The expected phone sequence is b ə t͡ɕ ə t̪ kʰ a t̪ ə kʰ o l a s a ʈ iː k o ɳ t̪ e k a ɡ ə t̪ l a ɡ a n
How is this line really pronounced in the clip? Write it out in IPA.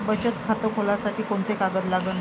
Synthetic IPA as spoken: b ə t͡ɕ ə t̪ kʰ a t̪ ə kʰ o l a s a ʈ iː k o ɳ t̪ e k a ɡ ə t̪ l a ɡ ə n